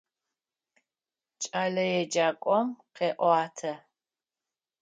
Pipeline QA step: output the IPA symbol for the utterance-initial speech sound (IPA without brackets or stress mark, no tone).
t͡ʃʼ